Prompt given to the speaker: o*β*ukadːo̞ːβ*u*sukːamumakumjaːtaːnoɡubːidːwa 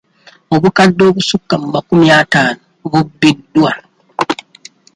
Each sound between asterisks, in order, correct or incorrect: correct, correct

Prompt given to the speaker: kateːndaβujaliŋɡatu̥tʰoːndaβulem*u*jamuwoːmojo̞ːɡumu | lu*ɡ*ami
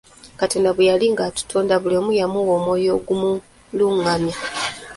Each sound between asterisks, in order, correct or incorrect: correct, incorrect

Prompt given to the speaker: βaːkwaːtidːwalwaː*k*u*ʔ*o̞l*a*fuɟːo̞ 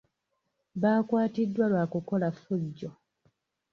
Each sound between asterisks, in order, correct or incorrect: correct, incorrect, correct

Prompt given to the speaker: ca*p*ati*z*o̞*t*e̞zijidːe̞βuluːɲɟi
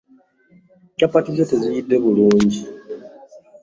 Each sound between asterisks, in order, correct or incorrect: correct, correct, correct

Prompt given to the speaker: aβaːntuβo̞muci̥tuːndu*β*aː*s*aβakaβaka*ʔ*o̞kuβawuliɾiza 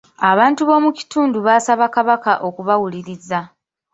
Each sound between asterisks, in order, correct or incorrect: correct, correct, correct

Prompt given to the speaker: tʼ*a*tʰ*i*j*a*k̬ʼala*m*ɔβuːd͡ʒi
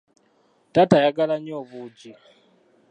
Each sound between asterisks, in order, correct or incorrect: correct, incorrect, correct, incorrect

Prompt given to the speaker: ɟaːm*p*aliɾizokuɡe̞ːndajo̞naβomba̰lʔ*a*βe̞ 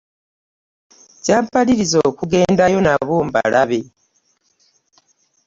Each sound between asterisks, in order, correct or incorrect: correct, correct

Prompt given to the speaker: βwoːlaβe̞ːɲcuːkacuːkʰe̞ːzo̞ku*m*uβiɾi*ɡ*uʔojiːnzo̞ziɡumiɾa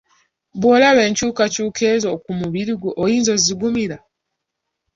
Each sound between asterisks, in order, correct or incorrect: correct, correct

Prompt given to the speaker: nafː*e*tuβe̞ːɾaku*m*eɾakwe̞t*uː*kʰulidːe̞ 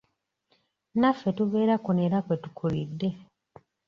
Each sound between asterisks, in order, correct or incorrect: correct, incorrect, incorrect

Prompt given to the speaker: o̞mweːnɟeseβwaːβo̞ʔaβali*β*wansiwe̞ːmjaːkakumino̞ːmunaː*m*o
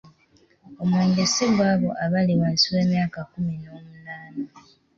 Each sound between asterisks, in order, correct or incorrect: incorrect, incorrect

